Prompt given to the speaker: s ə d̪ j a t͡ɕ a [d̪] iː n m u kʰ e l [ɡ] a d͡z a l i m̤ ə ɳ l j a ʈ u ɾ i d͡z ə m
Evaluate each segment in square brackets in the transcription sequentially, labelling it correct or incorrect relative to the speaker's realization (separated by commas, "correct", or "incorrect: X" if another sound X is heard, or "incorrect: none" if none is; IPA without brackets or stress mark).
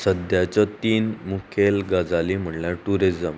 incorrect: t̪, correct